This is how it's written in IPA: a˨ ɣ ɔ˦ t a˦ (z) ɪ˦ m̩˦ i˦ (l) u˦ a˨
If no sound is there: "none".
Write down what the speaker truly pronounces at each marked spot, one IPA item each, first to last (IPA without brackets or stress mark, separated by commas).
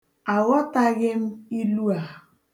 ɣ, l